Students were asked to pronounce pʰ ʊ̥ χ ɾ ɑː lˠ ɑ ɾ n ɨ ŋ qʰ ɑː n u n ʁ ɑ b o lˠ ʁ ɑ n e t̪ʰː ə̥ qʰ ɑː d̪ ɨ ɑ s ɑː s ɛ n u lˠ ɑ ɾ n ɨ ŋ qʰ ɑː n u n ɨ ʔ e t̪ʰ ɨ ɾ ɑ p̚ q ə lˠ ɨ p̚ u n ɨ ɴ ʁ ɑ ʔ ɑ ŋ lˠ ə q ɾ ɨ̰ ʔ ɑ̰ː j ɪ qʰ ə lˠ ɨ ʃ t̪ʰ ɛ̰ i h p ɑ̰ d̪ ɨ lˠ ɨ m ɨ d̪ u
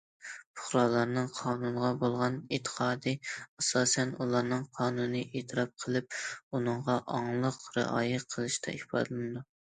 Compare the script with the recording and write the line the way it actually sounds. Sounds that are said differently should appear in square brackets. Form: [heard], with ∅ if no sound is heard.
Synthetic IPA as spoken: pʰ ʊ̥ χ ɾ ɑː lˠ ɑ ɾ n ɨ ŋ qʰ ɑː n u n ʁ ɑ b o lˠ ʁ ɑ n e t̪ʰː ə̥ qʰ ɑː d̪ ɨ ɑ s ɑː s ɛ n u lˠ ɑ ɾ n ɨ ŋ qʰ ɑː n u n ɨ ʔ e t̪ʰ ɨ ɾ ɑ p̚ [qʰ] ə lˠ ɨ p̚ u n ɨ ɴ ʁ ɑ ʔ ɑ ŋ lˠ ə q ɾ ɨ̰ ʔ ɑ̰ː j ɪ qʰ ə lˠ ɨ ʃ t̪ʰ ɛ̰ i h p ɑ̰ d̪ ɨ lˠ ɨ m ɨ d̪ u